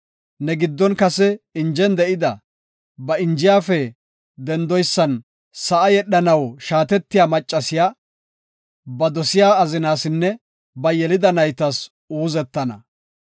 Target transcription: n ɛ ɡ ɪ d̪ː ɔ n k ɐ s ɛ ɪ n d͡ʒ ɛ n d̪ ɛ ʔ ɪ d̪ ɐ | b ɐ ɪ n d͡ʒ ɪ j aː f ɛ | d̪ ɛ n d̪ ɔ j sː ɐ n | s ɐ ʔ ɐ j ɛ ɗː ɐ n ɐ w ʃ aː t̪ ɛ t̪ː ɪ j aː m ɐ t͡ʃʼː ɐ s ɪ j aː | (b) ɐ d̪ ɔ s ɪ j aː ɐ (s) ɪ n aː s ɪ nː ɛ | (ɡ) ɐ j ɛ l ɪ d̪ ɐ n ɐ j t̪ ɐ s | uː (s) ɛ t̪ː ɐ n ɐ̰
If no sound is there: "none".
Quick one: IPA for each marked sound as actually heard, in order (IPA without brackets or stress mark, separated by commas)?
b, z, b, z